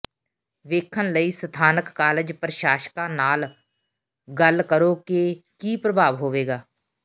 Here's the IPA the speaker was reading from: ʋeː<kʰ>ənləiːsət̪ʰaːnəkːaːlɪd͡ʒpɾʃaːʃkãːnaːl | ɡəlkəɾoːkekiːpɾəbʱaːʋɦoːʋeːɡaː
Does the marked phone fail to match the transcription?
no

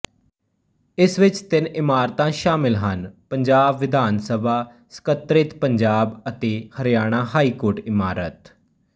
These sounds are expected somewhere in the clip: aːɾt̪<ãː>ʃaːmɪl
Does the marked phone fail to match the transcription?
no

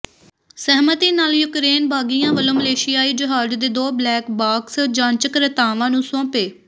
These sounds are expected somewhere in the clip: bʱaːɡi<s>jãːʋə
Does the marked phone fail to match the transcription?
yes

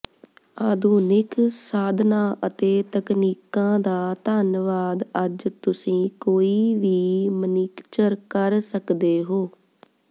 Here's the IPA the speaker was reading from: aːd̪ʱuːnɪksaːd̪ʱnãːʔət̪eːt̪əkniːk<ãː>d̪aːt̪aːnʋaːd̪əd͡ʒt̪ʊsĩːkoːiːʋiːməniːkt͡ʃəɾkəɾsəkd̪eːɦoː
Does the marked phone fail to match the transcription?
no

